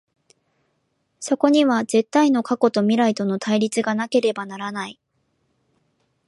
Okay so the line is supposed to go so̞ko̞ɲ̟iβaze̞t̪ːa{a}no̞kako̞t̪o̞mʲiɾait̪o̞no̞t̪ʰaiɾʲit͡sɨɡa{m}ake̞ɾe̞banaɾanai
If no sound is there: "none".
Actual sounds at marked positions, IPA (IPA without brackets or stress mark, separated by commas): i, n